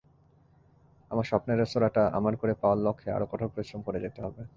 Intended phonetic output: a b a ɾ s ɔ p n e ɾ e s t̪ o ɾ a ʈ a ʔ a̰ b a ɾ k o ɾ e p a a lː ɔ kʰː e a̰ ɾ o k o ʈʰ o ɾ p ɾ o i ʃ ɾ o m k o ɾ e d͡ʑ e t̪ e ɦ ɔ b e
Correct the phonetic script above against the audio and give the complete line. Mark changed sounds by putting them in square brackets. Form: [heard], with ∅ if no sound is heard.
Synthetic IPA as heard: a [m] a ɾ [ʃ] ɔ p n e ɾ e s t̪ o ɾ a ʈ a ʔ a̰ [m] a ɾ k o ɾ e p a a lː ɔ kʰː e a̰ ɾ o k [ɔ] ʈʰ o ɾ p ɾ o i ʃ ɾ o m k o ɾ e d͡ʑ e t̪ e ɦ ɔ b e